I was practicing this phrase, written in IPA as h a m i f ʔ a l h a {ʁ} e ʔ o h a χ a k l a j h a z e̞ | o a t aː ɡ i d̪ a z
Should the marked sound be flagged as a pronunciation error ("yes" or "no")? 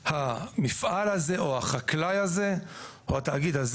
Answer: yes